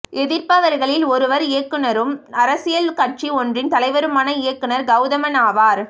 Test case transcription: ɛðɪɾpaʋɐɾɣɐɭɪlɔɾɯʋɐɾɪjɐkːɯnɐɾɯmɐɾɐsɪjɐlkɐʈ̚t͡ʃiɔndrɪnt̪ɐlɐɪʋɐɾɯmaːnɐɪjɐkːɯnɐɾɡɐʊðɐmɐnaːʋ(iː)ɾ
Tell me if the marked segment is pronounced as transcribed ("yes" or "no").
no